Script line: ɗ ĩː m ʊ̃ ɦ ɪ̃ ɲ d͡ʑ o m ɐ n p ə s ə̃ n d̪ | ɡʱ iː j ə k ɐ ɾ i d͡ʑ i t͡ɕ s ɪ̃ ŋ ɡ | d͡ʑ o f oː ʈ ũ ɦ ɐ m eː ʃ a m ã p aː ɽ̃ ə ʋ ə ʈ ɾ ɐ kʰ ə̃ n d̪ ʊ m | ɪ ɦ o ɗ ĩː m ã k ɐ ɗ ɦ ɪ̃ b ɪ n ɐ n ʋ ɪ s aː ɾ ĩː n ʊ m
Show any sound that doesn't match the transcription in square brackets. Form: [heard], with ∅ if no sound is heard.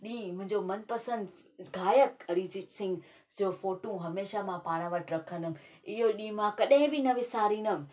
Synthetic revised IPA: ɗ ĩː m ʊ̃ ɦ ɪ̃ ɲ d͡ʑ o m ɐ n p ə s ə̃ n d̪ | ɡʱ [aː] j ə k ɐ ɾ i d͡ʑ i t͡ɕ s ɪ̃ ŋ ɡ | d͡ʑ o f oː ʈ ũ ɦ ɐ m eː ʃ a m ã p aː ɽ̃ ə ʋ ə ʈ ɾ ɐ kʰ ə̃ n d̪ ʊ m | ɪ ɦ o ɗ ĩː m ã k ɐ ɗ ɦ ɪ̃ b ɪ n ɐ [∅] ʋ ɪ s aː ɾ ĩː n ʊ m